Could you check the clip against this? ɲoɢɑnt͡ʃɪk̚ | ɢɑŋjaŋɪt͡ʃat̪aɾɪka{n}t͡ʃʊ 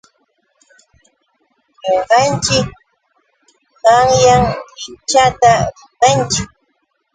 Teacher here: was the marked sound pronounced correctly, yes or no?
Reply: yes